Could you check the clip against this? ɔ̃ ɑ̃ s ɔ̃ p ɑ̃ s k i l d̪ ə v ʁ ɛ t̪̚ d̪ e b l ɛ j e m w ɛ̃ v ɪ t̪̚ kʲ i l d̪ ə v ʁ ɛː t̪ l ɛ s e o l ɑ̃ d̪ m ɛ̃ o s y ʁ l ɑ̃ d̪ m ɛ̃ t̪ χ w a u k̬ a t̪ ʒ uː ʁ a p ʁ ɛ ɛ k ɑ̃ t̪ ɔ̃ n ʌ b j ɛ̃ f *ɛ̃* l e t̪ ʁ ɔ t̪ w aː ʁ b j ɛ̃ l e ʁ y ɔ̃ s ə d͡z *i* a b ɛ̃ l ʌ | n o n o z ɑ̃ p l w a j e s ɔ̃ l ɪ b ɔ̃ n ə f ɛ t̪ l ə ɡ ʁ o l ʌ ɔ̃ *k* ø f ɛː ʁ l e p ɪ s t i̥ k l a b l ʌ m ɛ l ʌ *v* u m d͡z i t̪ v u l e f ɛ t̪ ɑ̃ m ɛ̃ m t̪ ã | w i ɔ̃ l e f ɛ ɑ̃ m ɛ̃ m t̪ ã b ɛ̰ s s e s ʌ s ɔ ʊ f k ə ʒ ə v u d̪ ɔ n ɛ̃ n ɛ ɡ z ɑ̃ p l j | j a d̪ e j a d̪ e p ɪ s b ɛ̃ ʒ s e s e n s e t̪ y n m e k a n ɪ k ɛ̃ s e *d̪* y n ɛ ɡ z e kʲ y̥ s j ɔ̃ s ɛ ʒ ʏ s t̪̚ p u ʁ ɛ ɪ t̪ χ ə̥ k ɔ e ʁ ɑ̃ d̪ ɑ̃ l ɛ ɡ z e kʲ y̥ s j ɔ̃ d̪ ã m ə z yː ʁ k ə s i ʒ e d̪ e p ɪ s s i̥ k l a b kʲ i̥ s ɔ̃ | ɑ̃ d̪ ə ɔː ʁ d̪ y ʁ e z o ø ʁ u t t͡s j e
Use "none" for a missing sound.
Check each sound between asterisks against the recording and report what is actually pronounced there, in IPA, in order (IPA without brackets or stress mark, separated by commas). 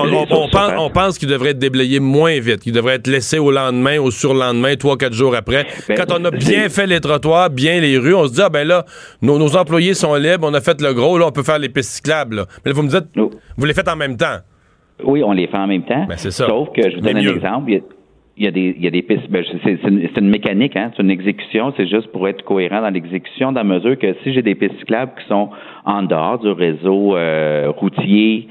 ɛ, i, p, v, t̪